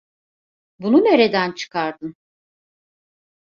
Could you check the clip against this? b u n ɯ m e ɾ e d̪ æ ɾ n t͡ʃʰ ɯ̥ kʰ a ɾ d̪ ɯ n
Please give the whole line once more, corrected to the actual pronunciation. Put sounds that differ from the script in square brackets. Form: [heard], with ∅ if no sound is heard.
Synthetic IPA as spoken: b u n [u] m e ɾ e d̪ æ [∅] n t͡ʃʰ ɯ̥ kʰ a ɾ d̪ ɯ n